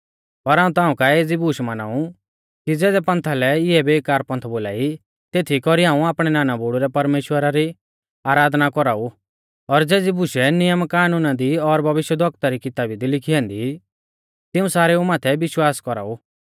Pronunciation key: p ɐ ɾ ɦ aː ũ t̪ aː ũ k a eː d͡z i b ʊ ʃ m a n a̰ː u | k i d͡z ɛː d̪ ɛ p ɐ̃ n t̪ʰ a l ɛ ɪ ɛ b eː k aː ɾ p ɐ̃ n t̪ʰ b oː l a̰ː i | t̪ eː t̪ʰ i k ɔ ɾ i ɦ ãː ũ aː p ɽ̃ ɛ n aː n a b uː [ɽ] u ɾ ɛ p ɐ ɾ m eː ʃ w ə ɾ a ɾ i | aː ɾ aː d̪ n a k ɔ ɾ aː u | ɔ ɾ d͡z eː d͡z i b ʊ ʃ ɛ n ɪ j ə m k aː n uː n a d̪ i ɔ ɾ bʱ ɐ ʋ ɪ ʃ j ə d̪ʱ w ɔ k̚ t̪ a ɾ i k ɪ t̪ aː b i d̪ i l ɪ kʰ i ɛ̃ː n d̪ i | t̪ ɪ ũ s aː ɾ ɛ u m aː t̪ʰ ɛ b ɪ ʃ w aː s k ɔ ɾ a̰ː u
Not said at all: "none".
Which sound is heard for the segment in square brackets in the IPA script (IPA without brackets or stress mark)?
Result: ɽ